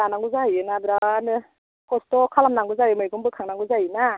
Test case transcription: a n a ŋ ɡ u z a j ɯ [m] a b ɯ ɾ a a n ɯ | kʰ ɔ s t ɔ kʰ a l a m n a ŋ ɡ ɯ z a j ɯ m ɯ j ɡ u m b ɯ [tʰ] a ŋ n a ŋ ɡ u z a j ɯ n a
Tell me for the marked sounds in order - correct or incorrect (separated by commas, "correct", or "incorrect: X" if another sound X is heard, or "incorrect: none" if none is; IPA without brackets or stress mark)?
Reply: incorrect: n, incorrect: kʰ